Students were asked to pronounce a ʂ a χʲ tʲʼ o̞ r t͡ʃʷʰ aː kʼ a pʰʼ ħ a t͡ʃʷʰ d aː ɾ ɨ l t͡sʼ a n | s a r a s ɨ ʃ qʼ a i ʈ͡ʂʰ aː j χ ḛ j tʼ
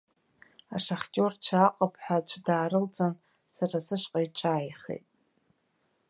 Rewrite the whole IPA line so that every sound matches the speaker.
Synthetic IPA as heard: a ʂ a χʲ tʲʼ o̞ r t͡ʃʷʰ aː qʼ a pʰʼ ħ a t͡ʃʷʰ d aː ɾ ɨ l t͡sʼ a n | s a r a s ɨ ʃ qʼ a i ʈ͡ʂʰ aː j χ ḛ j tʼ